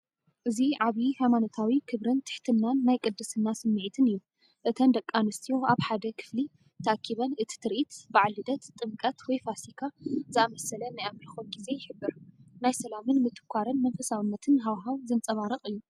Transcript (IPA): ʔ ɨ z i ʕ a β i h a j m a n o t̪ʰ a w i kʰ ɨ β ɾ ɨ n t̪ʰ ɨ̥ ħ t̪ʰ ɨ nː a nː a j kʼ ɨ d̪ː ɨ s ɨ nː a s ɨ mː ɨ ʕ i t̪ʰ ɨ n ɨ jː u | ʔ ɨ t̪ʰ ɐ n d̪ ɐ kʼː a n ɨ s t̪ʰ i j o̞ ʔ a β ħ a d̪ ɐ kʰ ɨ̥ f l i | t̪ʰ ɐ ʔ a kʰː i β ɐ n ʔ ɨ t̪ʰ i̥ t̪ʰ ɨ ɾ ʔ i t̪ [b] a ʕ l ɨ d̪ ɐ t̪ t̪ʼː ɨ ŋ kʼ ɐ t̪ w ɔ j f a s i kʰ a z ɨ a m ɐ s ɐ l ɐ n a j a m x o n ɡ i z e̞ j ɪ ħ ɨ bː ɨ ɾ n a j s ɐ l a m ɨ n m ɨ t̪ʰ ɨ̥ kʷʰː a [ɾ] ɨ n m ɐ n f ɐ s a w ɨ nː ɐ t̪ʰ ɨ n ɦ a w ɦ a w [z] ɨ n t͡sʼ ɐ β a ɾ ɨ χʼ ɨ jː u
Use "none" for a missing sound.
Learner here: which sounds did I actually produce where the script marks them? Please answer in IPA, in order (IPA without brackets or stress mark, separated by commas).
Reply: b, ɾ, z